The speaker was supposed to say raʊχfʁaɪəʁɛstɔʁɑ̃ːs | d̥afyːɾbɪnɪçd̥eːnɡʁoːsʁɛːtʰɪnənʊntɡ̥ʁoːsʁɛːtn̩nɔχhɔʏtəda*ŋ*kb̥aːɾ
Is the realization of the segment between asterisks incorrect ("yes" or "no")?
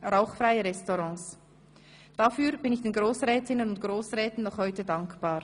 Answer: no